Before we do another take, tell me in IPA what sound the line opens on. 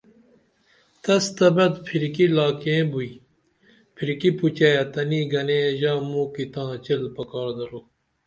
t̪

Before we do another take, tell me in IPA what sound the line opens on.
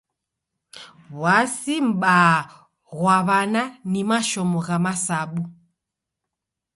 w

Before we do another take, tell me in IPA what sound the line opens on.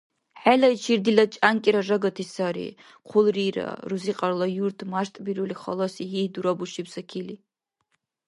ħ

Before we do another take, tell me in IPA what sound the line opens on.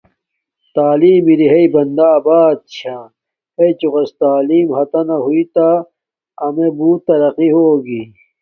t̪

